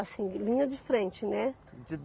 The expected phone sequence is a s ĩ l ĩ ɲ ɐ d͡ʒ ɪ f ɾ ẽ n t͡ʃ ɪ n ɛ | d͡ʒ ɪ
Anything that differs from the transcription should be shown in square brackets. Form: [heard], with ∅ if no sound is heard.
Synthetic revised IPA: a s ĩ l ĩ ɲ ɐ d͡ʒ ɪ f ɾ ẽ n t͡ʃ ɪ n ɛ | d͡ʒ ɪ